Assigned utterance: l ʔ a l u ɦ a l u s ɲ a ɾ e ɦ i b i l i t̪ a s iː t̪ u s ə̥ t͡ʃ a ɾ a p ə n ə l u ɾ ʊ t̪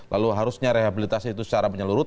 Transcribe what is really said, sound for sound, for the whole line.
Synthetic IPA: l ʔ a l u ɦ a ɾ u s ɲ a ɾ e ɦ a b i l i t̪ a s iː t̪ u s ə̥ t͡ʃ a ɾ a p ə ɲ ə l u ɾ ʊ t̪